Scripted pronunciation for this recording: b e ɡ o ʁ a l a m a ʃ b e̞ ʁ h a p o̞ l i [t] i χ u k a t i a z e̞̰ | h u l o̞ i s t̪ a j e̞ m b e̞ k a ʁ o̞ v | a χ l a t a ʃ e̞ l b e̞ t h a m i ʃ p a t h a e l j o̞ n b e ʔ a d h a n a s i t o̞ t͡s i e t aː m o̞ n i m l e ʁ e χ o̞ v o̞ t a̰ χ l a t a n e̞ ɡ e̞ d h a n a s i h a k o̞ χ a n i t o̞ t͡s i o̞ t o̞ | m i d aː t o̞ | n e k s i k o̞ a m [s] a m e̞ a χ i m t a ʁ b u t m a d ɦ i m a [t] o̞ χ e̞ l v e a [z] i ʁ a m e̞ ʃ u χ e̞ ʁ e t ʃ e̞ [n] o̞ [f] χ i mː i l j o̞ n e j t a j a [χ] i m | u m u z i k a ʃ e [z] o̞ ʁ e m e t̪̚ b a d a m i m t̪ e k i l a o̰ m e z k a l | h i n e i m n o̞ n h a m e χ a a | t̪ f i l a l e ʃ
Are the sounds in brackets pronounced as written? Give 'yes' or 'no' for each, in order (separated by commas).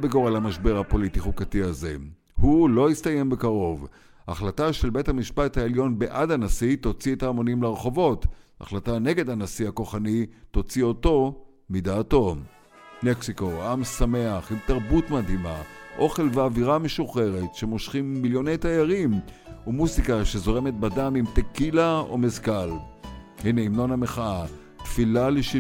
yes, yes, no, no, no, no, no, yes